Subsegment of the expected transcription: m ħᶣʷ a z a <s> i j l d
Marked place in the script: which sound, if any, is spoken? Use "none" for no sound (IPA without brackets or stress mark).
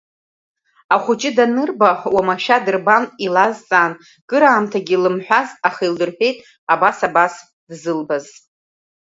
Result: χ